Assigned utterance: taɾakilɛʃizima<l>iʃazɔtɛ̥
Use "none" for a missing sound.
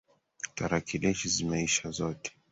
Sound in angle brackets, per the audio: none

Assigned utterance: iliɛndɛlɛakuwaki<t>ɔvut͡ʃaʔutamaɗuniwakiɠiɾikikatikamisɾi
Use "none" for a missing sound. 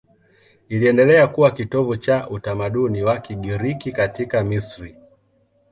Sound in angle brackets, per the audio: t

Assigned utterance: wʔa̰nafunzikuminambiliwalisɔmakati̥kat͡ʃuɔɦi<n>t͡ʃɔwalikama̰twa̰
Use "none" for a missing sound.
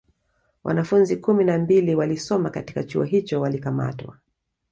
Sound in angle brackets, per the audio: none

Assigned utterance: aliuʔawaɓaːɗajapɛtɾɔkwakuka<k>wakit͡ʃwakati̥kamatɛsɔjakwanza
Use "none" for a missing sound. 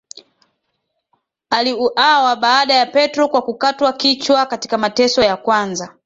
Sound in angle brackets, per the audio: t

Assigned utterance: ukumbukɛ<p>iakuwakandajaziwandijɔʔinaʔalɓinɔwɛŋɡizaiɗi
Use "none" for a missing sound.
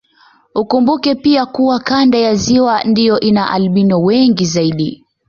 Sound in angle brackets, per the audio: p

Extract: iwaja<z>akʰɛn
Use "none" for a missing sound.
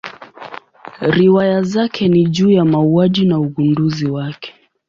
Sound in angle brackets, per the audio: z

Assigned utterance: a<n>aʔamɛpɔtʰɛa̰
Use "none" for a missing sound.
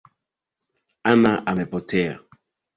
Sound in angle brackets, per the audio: n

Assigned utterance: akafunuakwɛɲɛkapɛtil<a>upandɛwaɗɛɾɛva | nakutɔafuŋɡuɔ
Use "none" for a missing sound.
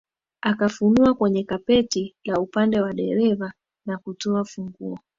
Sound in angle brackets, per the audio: a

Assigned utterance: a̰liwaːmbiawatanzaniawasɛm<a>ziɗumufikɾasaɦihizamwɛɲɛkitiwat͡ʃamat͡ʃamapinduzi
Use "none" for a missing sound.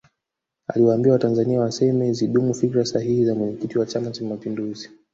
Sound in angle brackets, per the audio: ɛ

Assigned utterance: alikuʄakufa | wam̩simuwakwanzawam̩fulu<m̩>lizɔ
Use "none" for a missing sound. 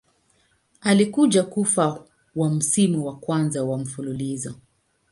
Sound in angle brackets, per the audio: none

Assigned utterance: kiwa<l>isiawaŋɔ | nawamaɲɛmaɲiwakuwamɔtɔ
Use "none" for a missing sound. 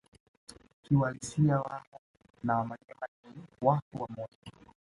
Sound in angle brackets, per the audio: l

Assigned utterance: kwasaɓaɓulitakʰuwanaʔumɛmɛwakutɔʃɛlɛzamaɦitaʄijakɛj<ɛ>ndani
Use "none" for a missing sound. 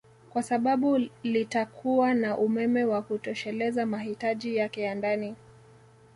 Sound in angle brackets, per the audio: a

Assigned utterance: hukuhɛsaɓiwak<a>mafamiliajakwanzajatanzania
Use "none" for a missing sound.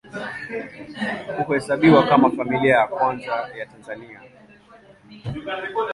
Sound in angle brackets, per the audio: a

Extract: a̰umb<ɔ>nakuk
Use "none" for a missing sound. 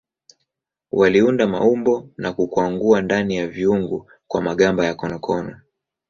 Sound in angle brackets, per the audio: ɔ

